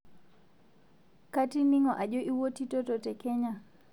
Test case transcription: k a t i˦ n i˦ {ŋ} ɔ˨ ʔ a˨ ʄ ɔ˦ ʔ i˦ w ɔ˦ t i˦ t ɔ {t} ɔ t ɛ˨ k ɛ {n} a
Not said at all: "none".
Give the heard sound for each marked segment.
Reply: ŋ, t, ɲ

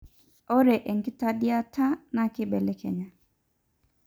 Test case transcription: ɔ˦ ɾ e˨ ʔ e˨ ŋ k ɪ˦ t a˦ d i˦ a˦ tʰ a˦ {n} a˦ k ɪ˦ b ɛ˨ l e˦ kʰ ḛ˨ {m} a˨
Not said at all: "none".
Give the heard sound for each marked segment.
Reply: n, ɲ

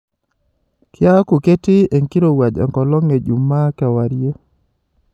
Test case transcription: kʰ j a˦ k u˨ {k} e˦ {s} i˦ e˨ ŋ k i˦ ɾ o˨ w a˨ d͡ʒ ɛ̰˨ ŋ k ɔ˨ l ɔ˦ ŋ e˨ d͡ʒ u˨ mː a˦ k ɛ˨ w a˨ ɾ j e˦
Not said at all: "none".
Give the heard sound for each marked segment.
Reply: k, t

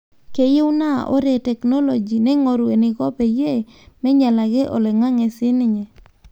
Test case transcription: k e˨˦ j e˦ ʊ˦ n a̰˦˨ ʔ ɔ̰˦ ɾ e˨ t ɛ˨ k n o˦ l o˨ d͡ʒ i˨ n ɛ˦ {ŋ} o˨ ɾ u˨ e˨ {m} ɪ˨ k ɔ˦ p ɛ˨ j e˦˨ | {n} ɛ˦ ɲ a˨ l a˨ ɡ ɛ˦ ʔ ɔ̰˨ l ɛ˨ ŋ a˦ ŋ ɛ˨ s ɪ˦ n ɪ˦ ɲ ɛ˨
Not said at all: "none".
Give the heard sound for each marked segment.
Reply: ŋ, n, m

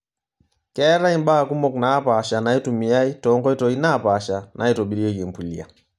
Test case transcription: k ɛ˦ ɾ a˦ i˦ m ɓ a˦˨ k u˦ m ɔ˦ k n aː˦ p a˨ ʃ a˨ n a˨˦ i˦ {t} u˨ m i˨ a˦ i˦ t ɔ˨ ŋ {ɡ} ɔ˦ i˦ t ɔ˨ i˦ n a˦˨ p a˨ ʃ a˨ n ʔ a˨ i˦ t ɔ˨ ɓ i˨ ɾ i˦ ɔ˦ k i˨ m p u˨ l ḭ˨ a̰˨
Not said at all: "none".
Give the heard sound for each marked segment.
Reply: t, ɡ

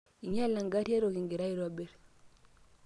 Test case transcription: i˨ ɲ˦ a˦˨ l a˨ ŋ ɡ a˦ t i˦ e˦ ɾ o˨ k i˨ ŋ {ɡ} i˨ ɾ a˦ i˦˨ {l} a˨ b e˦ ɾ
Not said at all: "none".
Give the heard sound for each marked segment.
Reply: ɡ, ɾ

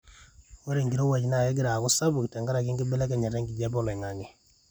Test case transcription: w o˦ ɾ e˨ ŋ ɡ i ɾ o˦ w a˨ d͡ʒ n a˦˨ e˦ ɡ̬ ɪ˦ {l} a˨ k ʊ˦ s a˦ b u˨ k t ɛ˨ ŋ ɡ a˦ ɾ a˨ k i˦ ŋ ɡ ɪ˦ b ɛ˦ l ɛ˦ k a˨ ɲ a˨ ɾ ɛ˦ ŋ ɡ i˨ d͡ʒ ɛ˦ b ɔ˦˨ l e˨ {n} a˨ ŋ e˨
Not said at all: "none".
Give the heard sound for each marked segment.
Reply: ɾ, ŋ

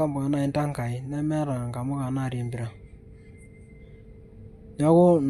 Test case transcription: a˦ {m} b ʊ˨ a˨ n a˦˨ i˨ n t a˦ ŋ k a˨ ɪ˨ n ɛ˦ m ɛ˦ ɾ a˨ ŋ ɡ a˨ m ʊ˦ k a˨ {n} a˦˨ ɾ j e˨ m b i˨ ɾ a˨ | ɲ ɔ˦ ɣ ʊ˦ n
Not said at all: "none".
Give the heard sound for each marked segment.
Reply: m, n

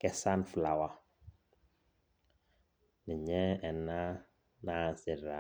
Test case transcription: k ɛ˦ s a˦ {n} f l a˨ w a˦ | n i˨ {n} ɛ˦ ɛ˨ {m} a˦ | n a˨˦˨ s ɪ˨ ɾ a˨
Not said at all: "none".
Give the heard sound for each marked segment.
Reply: n, ɲ, n

